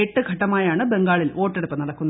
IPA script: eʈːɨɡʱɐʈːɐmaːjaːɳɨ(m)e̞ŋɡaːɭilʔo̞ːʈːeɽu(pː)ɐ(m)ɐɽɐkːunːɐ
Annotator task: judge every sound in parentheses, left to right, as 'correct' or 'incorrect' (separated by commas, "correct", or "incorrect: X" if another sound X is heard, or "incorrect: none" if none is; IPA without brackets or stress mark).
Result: incorrect: b, correct, incorrect: n